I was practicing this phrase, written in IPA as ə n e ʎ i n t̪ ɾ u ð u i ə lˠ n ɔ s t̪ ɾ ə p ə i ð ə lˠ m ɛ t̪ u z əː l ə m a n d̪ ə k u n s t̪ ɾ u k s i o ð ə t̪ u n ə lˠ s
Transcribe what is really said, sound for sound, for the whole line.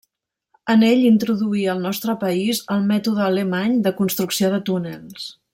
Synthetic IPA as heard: ə n e ʎ i n t̪ ɾ u ð u i ə lˠ n ɔ s t̪ ɾ ə p ə i z ə lˠ m ɛ t̪ u ð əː l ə m a ɲ d̪ ə k u n s t̪ ɾ u k s i o ð ə t̪ u n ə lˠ s